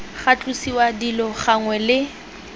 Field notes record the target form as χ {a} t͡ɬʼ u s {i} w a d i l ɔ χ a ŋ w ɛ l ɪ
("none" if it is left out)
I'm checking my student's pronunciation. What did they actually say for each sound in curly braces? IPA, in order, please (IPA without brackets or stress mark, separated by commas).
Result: a, i